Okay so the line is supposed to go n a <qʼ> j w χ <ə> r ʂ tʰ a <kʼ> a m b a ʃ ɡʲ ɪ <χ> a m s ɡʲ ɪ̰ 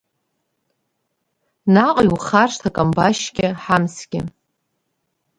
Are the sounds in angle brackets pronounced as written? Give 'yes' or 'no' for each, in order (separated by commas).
yes, no, yes, no